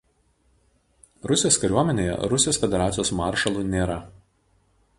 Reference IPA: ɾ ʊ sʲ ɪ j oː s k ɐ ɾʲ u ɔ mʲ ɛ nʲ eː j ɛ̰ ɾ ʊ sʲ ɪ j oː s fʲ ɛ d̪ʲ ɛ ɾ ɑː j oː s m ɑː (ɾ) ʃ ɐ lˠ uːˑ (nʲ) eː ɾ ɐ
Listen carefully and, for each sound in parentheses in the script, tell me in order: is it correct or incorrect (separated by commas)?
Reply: correct, correct